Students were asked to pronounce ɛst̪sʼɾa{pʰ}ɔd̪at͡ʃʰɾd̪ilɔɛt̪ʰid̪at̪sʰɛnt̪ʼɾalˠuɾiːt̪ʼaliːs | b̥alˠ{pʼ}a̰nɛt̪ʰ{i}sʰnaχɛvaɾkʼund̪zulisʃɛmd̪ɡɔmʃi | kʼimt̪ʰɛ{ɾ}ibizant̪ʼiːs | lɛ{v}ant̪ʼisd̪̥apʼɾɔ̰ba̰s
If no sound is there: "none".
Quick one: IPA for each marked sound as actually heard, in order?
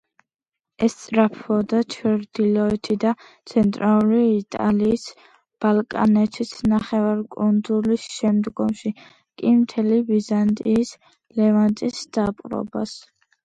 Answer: pʰ, kʼ, i, l, v

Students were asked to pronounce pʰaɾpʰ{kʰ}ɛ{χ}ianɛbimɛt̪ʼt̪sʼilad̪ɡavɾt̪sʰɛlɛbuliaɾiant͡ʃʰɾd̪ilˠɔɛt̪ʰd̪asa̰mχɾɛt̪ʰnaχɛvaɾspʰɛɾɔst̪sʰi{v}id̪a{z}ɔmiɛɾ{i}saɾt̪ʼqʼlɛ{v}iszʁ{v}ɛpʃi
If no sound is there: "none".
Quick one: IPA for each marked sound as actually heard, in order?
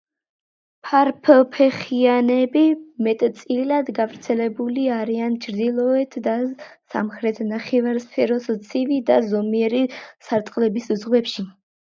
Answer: pʰ, χ, v, z, i, b, w

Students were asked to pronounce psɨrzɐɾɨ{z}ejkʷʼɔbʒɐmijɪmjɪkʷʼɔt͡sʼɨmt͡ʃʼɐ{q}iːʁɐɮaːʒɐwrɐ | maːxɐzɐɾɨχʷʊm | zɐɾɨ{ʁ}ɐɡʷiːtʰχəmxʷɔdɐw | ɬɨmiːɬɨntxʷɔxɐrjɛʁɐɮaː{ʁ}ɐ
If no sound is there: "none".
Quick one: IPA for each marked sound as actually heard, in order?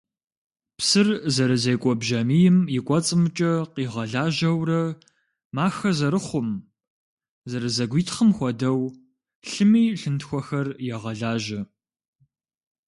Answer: z, q, z, ʒ

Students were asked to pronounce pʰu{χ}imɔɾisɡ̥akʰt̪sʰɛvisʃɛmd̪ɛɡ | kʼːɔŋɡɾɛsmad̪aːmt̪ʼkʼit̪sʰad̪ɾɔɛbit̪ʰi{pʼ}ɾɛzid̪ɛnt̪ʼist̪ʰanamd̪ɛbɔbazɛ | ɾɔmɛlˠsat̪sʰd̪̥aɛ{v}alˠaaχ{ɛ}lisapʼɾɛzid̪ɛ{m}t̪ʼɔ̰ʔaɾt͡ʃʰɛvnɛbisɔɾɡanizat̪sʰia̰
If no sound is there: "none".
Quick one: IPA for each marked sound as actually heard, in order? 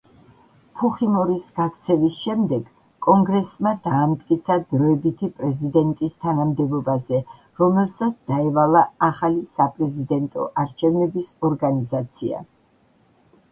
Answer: χ, pʼ, v, a, n

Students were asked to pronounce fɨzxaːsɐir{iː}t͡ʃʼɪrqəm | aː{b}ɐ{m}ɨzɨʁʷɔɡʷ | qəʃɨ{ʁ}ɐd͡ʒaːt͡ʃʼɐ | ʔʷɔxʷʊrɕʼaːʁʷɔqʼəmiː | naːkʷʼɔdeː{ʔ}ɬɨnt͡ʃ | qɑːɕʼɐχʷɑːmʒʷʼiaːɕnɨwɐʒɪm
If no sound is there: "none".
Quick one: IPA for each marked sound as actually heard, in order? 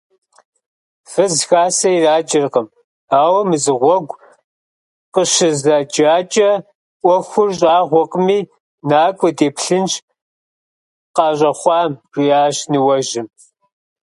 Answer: aː, w, m, z, p

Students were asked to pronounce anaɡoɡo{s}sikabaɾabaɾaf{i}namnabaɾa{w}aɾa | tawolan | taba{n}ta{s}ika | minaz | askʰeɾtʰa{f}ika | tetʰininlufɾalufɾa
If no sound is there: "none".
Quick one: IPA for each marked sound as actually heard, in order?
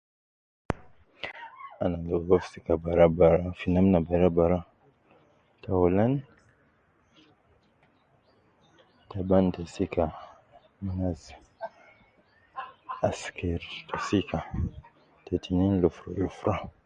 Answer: f, i, b, n, s, s

